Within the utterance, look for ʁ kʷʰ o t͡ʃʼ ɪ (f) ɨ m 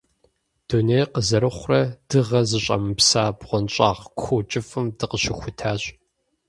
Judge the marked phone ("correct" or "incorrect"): correct